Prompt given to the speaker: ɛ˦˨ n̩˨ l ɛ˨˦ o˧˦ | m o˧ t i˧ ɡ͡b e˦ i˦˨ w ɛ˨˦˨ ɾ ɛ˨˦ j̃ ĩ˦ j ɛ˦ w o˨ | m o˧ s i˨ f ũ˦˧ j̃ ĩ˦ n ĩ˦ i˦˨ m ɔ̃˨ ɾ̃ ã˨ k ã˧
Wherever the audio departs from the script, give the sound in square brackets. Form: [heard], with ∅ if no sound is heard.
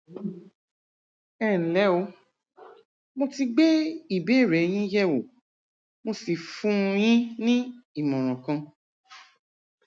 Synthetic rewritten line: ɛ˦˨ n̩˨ l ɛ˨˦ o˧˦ | m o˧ t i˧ ɡ͡b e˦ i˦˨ [b] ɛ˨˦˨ ɾ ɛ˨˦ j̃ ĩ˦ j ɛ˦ w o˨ | m o˧ s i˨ f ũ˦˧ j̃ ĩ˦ n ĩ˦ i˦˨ m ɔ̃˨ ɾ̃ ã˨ k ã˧